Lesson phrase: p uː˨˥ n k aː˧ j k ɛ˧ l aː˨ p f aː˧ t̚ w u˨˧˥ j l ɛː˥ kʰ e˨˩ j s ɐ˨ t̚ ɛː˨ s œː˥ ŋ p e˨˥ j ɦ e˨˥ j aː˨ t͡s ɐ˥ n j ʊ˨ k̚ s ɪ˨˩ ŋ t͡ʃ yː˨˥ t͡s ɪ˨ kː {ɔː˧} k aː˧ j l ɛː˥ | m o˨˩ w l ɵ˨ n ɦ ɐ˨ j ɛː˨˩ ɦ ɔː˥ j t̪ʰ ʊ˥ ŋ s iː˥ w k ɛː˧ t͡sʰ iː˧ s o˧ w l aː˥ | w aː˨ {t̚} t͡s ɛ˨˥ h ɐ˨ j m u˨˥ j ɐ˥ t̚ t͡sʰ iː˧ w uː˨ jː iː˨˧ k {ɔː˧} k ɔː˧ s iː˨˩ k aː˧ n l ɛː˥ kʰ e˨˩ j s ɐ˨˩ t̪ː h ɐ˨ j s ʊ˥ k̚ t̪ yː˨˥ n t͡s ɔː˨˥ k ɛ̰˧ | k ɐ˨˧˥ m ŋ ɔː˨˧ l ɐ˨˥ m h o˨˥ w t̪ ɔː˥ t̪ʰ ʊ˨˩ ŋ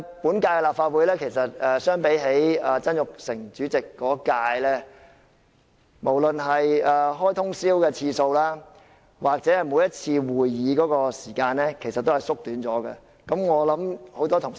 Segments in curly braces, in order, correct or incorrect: incorrect: ɔː˨˥, incorrect: k̚, incorrect: ɔː˨˥

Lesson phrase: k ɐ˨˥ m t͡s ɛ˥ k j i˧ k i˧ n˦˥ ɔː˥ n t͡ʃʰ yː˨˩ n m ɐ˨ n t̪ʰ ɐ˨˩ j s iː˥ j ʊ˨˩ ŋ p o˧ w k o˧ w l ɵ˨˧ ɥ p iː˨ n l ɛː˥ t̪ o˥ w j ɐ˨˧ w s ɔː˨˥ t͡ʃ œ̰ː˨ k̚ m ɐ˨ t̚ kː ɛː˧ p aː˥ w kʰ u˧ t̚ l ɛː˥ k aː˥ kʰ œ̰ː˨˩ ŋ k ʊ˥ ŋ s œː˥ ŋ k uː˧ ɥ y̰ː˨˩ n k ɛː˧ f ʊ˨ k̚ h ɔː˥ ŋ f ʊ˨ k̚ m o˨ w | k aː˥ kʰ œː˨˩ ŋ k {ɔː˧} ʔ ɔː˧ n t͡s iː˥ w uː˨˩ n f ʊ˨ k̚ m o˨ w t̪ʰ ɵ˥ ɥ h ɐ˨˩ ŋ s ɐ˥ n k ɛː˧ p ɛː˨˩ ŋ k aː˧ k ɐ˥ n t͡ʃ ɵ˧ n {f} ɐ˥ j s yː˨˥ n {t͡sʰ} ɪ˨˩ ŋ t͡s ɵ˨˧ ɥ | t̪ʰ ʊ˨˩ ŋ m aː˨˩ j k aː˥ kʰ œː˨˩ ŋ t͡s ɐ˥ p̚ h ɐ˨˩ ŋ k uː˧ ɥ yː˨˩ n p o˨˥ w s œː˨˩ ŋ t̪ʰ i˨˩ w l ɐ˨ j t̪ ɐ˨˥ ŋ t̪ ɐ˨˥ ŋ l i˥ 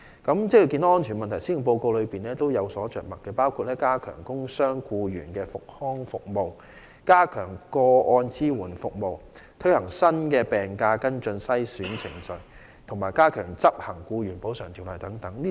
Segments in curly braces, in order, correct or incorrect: correct, incorrect: s, correct

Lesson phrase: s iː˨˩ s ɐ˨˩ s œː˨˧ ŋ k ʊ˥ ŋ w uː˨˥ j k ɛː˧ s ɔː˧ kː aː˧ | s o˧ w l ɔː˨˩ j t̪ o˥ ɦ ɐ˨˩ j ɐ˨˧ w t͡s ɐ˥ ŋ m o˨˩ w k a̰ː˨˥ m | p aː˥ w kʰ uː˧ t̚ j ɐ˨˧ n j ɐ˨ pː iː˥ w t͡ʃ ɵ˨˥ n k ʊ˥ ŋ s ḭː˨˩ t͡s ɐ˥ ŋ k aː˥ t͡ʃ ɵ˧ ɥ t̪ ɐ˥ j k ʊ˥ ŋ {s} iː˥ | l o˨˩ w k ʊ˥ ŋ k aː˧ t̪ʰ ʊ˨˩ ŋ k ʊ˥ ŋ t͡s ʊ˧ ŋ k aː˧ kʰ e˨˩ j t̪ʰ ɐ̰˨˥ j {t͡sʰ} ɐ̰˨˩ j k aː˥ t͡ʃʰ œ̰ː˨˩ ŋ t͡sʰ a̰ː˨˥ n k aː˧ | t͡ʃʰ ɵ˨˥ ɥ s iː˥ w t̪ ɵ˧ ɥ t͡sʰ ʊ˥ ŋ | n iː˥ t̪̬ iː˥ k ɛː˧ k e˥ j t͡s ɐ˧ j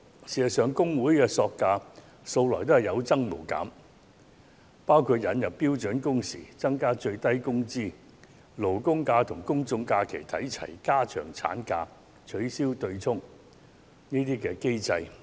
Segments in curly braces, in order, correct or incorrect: incorrect: t͡s, correct

